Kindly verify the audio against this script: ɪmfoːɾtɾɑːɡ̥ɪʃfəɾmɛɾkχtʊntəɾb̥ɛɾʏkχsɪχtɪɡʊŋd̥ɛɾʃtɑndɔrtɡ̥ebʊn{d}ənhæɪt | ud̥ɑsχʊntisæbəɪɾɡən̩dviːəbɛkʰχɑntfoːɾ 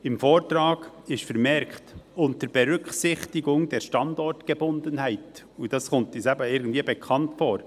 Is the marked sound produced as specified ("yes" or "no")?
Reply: yes